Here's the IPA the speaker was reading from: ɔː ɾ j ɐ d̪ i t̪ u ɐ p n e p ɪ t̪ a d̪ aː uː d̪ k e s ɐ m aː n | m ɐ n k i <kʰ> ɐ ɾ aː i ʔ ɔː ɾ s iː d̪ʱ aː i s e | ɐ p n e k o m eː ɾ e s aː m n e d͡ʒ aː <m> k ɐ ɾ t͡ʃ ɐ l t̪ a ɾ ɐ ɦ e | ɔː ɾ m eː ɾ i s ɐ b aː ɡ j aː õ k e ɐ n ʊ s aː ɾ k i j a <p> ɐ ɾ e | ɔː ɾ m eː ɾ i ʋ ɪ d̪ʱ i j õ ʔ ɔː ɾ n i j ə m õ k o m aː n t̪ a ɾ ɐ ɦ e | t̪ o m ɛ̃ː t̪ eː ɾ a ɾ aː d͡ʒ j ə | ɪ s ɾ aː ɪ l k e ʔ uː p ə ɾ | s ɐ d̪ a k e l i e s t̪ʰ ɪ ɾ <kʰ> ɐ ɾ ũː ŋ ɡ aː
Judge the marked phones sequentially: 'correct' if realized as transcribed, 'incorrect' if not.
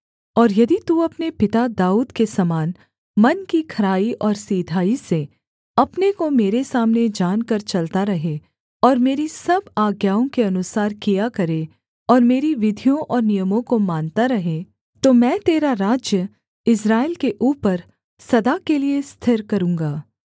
correct, incorrect, incorrect, incorrect

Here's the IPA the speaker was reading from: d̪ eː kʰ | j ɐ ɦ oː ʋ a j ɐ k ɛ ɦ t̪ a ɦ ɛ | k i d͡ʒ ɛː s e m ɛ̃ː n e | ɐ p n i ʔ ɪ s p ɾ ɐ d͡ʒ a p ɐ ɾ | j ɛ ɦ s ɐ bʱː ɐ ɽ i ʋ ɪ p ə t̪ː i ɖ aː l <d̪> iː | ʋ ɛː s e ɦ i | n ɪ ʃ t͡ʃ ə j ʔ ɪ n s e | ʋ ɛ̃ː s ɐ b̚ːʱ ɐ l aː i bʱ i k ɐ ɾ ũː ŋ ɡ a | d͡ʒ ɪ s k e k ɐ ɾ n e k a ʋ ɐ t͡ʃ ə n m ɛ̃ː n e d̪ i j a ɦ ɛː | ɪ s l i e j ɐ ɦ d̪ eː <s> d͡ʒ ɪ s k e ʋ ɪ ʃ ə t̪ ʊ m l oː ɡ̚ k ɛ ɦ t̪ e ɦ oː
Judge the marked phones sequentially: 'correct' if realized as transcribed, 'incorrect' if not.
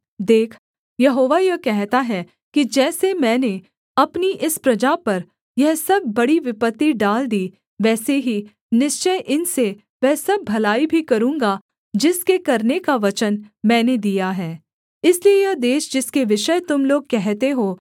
correct, incorrect

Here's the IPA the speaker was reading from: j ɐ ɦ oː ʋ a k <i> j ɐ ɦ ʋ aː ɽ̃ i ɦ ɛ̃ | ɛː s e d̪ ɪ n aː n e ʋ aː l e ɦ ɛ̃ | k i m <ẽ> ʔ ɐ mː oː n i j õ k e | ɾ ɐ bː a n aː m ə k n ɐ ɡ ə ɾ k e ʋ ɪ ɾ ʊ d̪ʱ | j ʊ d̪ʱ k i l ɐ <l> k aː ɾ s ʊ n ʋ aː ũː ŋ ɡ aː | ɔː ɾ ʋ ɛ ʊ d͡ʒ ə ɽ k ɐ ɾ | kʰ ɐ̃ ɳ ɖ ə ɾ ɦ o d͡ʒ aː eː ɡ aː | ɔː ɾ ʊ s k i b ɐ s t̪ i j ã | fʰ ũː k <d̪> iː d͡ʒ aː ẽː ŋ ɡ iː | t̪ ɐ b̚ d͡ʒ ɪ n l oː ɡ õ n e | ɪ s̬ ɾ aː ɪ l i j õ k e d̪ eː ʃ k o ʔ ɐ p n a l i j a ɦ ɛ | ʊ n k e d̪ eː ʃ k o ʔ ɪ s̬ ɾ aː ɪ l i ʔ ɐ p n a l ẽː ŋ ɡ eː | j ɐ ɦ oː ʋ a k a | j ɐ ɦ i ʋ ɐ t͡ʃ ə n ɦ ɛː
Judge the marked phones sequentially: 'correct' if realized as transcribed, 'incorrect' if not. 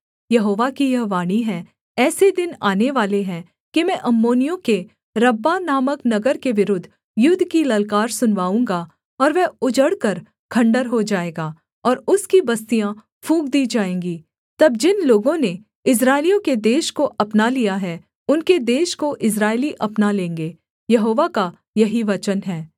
correct, incorrect, correct, correct

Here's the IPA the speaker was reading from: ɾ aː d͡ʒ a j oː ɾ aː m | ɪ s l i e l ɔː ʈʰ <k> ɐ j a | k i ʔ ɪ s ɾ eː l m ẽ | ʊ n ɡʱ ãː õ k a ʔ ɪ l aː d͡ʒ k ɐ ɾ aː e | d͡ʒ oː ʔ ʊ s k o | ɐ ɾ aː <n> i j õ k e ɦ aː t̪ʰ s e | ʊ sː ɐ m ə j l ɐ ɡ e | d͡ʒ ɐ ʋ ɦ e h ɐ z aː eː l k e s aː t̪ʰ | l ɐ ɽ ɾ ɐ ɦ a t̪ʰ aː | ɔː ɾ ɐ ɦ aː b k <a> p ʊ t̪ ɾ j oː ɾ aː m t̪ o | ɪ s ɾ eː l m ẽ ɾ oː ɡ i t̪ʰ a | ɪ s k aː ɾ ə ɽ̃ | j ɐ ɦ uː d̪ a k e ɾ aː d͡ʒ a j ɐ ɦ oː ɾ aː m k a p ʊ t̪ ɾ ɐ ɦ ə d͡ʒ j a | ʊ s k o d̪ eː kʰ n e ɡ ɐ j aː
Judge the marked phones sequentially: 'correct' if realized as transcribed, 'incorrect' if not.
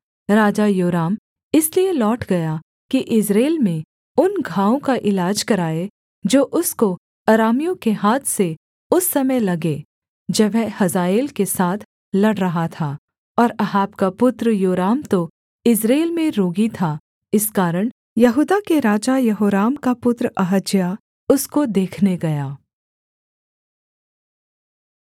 incorrect, incorrect, correct

